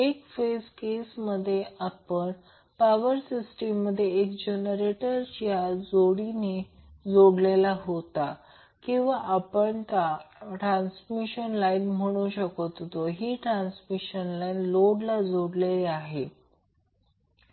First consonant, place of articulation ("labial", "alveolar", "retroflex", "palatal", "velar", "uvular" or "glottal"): velar